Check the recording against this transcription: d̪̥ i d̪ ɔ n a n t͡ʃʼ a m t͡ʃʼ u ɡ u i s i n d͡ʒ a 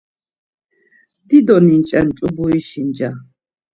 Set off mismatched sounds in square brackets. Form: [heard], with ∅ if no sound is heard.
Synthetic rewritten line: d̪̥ i d̪ ɔ n [i] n t͡ʃʼ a [n] t͡ʃʼ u [b] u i [ʃ] i n d͡ʒ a